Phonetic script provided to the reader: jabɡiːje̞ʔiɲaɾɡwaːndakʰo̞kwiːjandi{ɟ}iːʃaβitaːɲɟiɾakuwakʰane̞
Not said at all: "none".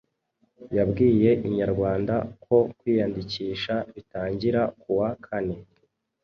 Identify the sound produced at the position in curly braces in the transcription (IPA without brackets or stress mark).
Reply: c